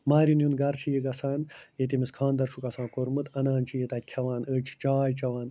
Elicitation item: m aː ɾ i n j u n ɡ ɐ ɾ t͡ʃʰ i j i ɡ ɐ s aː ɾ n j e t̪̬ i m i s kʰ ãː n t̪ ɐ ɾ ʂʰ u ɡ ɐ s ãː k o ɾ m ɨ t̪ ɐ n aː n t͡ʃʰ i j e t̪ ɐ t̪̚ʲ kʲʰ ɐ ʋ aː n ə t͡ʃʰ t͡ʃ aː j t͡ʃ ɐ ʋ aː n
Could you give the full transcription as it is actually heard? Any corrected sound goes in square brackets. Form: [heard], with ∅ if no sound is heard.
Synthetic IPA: m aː ɾ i n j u n ɡ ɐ ɾ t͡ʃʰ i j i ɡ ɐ s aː [∅] n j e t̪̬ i m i s kʰ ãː n [d̪] ɐ ɾ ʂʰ u [k] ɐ s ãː k o ɾ m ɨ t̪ ɐ n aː n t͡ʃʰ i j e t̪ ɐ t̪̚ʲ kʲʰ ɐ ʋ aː n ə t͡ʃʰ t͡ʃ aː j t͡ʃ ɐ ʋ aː n